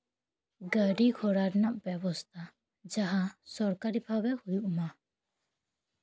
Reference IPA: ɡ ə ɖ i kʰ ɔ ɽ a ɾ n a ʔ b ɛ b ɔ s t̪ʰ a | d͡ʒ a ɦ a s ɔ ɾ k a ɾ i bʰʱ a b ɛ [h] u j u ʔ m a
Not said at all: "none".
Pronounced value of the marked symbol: h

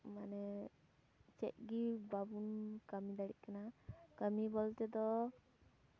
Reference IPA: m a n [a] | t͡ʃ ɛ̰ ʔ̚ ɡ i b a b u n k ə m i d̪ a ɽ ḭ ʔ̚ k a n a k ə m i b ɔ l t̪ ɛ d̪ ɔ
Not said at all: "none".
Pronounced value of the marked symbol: ɛ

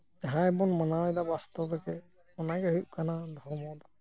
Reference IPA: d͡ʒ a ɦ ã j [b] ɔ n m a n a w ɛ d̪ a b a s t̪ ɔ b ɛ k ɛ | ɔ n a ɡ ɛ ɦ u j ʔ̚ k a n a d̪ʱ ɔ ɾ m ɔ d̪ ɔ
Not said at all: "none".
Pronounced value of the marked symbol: b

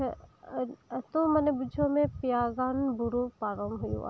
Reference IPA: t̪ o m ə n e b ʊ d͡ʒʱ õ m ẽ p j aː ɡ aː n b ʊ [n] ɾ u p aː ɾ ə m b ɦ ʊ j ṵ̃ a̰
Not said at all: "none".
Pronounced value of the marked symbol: none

